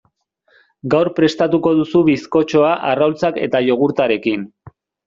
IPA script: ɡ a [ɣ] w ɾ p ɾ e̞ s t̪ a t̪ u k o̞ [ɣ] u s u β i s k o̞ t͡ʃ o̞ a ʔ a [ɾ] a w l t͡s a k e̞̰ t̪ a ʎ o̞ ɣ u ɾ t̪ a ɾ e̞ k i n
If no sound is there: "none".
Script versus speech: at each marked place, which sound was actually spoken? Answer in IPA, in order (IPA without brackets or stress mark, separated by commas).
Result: none, ð, r